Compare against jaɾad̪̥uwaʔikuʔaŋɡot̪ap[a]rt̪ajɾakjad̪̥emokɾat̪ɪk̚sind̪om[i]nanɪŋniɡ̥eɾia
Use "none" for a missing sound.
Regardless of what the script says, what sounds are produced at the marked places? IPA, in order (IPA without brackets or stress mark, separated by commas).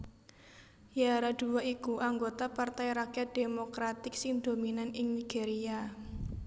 a, i